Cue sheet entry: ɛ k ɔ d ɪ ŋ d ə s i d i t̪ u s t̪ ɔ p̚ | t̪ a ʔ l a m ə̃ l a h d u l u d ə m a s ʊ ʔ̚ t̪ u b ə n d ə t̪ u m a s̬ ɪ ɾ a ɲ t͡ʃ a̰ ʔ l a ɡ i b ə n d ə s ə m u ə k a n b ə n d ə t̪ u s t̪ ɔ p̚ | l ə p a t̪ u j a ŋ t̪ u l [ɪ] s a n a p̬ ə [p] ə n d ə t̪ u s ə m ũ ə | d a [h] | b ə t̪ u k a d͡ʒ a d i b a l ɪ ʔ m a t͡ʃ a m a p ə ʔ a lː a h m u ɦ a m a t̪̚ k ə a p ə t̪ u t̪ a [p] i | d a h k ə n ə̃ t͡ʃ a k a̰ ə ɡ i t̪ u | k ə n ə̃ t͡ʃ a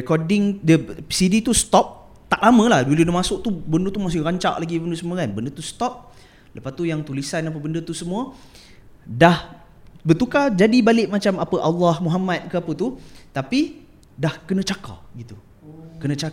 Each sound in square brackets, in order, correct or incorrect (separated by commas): incorrect, incorrect, correct, correct